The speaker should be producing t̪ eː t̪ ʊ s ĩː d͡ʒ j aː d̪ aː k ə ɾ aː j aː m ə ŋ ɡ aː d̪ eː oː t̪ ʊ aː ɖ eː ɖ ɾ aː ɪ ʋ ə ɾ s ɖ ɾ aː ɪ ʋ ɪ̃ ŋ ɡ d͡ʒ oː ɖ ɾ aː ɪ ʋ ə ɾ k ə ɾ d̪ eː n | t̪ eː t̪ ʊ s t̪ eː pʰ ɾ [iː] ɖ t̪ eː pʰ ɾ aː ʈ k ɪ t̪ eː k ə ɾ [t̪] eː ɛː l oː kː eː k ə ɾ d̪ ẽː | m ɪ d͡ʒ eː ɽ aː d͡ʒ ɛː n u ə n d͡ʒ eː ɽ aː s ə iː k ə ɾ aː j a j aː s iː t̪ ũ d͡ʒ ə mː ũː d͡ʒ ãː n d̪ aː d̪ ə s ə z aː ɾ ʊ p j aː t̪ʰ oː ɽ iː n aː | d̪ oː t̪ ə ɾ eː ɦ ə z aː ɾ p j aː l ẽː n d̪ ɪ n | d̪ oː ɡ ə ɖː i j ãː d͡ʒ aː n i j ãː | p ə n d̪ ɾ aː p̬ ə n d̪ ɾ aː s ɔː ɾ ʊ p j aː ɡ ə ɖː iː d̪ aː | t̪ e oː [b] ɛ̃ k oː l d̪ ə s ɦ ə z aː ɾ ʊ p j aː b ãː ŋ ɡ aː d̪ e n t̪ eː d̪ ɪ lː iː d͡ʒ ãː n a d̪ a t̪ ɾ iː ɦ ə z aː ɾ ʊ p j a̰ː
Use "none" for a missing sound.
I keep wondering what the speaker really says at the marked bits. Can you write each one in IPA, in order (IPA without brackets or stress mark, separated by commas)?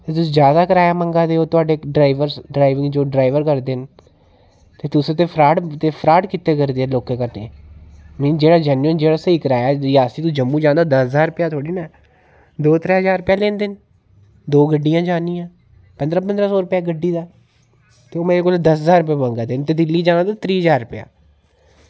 aː, d̪, m